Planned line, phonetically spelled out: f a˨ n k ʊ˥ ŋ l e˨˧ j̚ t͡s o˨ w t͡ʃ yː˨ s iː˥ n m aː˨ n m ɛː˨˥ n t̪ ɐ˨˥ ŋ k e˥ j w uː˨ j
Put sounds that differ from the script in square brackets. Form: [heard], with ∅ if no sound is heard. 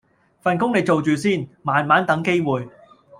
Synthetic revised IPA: f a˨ n k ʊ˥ ŋ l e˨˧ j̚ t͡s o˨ w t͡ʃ yː˨ s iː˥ n m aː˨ n m [aː˨˥] n t̪ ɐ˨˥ ŋ k e˥ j w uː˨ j